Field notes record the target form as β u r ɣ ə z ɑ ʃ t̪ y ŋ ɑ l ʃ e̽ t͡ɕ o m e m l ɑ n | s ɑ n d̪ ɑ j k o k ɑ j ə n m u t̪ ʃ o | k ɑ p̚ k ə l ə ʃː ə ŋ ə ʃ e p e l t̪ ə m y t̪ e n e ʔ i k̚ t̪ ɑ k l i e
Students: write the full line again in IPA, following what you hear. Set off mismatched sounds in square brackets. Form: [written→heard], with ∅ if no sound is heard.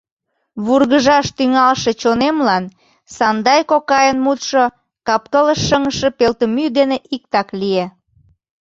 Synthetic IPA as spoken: β u r ɣ ə [z→ʒ] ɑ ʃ t̪ y ŋ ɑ l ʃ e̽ t͡ɕ o [m→n] e m l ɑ n | s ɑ n d̪ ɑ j k o k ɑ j ə n m u t̪ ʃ o | k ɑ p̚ k ə l ə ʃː ə ŋ ə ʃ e p e l t̪ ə m y [t̪→d̪] e n e ʔ i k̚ t̪ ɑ k l i e